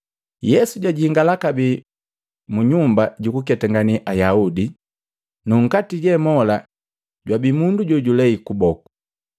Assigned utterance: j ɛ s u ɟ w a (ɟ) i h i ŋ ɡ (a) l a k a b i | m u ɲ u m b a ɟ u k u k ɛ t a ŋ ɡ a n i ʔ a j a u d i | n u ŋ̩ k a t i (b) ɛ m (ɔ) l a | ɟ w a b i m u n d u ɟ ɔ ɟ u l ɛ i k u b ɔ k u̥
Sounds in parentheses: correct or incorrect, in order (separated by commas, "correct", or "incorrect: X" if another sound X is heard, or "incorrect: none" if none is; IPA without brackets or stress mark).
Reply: correct, correct, incorrect: ɟ, correct